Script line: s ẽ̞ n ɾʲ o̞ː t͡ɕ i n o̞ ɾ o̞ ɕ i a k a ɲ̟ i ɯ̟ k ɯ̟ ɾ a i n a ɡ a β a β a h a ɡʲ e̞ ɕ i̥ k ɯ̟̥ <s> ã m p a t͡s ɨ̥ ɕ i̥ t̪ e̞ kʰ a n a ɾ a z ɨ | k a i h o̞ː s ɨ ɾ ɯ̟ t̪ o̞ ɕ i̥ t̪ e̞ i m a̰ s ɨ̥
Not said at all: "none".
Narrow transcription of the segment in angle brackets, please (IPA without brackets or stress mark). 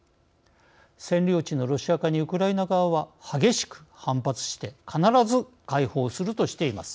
h